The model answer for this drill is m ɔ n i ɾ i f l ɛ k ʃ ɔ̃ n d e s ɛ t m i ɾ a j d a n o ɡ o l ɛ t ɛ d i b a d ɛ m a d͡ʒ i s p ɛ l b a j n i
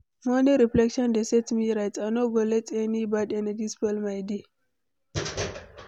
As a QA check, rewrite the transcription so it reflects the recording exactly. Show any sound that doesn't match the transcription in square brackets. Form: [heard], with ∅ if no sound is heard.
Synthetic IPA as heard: m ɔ n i ɾ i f l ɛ k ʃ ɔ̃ n d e s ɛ t m i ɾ a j [t] a n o ɡ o l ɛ t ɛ [n] i b a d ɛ [n] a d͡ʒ i s p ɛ l [m] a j [d] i